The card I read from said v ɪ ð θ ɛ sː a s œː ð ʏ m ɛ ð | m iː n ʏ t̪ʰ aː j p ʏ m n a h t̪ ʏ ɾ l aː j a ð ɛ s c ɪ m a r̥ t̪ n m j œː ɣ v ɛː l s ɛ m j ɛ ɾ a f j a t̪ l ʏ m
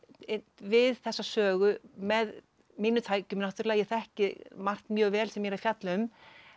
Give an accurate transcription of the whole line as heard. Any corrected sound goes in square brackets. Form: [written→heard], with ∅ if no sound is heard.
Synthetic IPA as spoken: v ɪ ð θ ɛ sː a s œː [ð→ɣ] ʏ m ɛ ð | m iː n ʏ t̪ʰ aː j [p→c] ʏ m n a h t̪ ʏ ɾ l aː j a [ð→θ] ɛ [s→h] c ɪ m a r̥ t̪ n m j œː ɣ v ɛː l s ɛ m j ɛ ɾ a f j a t̪ l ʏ m